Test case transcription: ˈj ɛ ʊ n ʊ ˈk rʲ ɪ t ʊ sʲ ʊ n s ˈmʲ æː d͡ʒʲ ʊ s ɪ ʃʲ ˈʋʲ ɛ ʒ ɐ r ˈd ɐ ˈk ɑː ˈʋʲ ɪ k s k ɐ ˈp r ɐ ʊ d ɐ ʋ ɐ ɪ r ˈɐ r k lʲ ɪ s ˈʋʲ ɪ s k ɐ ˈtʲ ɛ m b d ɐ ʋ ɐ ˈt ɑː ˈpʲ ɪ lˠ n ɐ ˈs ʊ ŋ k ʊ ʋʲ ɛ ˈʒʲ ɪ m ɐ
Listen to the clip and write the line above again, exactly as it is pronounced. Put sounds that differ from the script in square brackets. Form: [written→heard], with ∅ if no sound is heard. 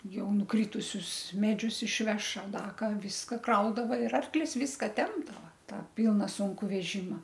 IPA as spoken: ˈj ɛ ʊ n ʊ ˈk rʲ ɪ t ʊ sʲ ʊ [n→∅] s ˈmʲ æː d͡ʒʲ ʊ s ɪ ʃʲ ˈʋʲ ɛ [ʒ→ʃ] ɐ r ˈd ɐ ˈk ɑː ˈʋʲ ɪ [k→∅] s k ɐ [ˈp→ˈk] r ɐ ʊ d ɐ ʋ ɐ ɪ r ˈɐ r k lʲ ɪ s ˈʋʲ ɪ s k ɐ ˈtʲ ɛ m b d ɐ ʋ ɐ ˈt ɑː ˈpʲ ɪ lˠ n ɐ ˈs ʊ ŋ k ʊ ʋʲ ɛ ˈʒʲ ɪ m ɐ